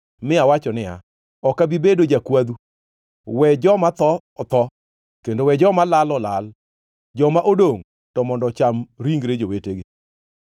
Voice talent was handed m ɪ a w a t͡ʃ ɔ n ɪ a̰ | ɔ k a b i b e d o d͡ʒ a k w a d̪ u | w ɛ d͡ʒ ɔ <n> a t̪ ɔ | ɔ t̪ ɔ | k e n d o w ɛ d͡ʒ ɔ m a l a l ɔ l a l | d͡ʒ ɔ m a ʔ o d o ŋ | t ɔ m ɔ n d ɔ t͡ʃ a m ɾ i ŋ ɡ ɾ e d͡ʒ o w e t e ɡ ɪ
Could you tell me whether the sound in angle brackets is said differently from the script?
yes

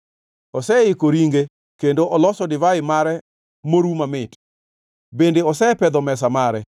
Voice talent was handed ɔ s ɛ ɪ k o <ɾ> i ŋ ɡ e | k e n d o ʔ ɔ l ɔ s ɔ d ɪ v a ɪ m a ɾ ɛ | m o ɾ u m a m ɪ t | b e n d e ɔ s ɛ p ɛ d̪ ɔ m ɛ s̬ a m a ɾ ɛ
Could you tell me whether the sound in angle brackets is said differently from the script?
no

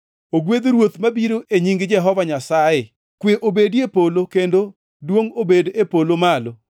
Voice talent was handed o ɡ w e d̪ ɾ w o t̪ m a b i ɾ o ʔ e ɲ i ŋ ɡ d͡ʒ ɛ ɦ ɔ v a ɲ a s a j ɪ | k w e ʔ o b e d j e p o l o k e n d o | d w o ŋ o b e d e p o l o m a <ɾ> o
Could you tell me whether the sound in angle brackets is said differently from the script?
yes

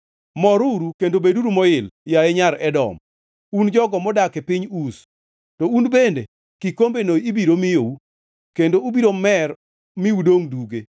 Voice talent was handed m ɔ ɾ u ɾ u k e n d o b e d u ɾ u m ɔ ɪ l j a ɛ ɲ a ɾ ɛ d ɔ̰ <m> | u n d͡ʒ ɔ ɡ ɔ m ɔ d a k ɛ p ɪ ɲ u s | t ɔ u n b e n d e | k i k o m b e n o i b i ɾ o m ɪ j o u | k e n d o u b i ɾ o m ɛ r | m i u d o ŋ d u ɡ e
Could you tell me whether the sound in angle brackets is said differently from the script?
no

